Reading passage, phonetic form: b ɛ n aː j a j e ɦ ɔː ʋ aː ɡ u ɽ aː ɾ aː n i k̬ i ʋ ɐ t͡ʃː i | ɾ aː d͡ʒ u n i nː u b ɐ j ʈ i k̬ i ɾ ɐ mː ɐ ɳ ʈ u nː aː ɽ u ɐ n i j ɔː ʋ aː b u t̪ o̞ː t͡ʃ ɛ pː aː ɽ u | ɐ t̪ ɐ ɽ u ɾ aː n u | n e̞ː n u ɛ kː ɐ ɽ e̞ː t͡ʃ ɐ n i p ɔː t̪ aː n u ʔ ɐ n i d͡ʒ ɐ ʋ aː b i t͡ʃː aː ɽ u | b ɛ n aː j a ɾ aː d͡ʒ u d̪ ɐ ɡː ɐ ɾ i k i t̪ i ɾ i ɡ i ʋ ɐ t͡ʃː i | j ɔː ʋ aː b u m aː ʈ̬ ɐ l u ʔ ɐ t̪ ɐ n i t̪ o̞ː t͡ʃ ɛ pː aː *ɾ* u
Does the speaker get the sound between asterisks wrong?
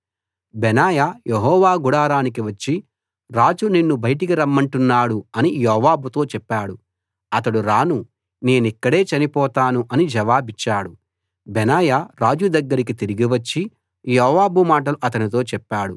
yes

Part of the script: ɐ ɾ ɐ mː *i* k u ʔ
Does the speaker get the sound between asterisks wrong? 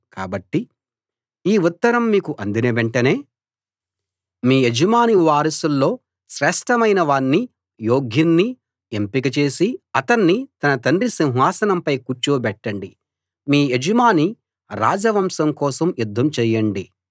yes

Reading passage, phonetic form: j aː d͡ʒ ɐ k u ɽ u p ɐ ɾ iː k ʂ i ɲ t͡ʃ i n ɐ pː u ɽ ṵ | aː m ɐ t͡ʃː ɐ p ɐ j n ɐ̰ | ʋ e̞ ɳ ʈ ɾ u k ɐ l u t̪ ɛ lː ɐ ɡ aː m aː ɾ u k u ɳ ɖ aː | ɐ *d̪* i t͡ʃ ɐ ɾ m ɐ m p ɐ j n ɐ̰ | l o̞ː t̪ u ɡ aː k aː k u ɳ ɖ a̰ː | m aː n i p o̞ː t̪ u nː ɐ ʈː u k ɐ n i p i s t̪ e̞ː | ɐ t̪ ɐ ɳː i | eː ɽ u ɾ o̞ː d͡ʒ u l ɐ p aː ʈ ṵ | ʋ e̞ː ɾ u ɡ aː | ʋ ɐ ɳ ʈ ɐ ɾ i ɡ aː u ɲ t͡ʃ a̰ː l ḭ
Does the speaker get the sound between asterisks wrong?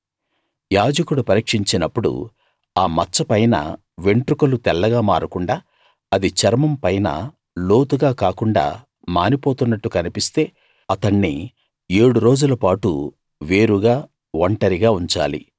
no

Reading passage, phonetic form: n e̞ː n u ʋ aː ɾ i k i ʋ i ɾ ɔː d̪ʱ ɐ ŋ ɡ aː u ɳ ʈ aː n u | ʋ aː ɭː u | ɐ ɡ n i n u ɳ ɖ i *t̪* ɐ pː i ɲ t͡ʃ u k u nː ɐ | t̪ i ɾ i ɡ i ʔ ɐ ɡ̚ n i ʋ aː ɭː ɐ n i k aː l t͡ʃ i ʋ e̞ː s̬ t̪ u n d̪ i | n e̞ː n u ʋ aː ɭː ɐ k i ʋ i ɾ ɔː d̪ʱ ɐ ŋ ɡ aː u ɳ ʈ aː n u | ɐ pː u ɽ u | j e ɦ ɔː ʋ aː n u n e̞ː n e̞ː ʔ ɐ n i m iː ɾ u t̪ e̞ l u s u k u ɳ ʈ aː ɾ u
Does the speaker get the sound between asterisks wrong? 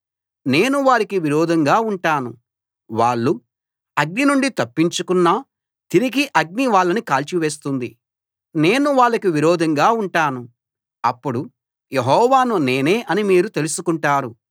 no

